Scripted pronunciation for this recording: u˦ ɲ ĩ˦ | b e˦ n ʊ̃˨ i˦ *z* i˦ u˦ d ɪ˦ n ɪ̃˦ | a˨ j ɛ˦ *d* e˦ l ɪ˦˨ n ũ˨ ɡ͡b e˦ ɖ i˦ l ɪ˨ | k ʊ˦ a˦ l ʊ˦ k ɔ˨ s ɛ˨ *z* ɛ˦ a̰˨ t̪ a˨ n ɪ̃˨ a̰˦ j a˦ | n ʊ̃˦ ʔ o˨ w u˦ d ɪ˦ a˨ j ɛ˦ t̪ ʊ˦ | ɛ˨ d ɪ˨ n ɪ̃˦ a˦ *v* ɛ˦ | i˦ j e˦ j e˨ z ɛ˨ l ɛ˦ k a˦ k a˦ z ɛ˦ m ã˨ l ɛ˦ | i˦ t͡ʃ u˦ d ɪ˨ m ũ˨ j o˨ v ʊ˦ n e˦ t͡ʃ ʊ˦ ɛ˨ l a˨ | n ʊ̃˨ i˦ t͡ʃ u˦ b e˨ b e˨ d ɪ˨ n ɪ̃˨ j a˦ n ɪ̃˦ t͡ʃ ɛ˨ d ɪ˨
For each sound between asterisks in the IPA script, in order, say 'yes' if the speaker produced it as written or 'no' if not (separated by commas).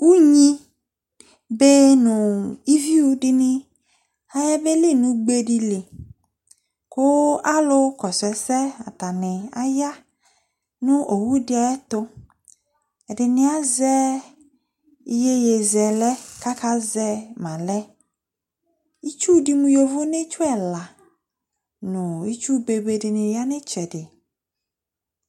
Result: no, no, no, no